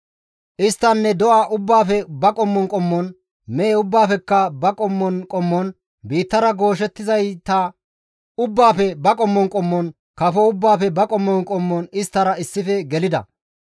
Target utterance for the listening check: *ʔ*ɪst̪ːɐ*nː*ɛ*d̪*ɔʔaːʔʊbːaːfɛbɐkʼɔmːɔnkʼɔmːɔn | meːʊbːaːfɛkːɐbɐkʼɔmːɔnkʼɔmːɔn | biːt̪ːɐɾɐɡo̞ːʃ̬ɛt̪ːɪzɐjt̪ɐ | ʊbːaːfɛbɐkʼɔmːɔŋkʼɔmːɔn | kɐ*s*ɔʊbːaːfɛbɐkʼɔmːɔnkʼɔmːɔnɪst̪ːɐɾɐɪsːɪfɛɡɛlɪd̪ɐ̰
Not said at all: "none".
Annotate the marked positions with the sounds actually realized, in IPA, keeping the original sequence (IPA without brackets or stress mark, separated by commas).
ʔ, nː, d̪, f